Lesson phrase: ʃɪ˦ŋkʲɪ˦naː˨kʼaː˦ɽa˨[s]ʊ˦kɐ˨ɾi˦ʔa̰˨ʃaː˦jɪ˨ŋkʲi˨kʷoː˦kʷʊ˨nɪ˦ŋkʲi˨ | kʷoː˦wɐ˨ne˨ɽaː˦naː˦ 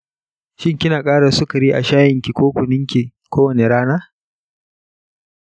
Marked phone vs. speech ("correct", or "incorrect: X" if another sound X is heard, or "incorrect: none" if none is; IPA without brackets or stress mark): correct